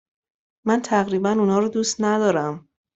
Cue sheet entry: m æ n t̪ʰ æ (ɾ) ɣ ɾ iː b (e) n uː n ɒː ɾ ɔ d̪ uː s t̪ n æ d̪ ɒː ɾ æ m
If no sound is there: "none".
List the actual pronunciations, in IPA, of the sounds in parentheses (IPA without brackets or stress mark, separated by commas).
none, æ